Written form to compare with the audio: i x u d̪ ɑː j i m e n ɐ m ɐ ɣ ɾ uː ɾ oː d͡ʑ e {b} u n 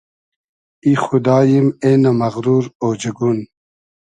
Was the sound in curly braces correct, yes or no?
no